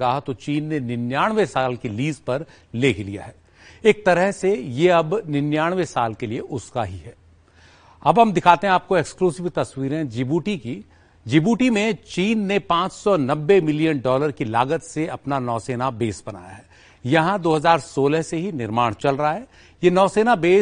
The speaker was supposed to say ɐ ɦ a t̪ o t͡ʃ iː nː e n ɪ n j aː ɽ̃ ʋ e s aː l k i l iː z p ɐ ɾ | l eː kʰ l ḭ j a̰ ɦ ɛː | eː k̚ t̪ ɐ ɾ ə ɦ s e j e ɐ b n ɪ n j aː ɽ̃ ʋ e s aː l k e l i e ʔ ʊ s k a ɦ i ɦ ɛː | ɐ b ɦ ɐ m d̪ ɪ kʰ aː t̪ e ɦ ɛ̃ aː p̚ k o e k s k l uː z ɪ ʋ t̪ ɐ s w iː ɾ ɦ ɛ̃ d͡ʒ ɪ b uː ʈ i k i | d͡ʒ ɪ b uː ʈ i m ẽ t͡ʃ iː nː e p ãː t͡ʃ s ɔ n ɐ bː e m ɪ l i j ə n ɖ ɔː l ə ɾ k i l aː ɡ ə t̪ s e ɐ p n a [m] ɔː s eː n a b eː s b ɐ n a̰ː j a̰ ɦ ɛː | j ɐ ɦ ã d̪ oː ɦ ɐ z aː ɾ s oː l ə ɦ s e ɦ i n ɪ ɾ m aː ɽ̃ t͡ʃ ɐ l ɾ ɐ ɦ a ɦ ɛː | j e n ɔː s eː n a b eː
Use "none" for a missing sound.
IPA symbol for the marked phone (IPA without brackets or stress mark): n